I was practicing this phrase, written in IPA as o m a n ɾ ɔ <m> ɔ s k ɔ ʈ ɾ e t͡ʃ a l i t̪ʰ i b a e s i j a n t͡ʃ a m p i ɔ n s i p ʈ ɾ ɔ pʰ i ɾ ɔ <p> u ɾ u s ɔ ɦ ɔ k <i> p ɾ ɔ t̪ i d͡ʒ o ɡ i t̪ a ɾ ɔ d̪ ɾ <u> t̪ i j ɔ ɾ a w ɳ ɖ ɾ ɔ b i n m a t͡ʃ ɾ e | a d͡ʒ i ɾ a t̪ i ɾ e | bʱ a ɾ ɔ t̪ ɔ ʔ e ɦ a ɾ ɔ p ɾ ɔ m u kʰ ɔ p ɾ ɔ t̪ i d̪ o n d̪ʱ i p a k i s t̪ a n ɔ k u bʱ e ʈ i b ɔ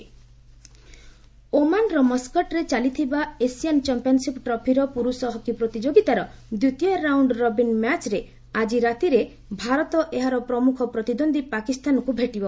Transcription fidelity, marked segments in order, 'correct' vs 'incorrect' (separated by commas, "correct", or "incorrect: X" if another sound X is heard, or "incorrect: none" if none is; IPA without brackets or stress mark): correct, correct, correct, correct